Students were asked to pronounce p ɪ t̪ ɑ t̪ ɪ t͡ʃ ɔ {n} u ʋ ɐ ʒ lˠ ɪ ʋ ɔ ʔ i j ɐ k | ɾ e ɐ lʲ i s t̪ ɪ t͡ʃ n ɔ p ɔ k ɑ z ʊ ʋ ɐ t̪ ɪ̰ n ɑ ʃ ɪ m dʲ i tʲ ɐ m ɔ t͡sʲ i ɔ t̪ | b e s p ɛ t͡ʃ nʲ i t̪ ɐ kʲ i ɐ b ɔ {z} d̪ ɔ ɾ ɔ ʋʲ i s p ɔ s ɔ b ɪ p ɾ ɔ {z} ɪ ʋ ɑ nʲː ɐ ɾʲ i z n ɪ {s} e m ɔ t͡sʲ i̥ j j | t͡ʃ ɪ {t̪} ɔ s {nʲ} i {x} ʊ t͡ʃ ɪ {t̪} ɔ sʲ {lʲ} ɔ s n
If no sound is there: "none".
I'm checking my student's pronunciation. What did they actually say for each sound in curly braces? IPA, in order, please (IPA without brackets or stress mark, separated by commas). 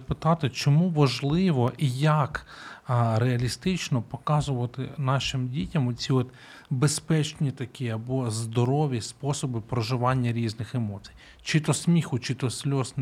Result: m, z, ʒ, x, t̪, mʲ, x, t̪, lʲ